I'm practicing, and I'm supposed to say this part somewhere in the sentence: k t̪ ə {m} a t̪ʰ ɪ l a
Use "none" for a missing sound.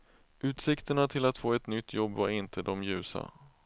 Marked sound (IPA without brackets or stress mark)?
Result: ɳ